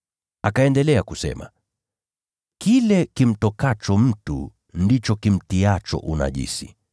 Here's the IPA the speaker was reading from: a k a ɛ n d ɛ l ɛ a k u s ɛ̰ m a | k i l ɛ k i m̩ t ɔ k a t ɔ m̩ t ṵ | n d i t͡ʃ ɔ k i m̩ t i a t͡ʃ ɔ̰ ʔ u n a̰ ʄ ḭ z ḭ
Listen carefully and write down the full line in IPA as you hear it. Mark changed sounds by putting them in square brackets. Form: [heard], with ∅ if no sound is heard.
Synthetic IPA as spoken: a k a ɛ n d ɛ l ɛ a k u s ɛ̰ m a | k i l ɛ k i m̩ t ɔ k a [t͡ʃ] ɔ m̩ t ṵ | n d i t͡ʃ ɔ k i m̩ t i a t͡ʃ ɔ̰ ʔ u n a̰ ʄ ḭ [s] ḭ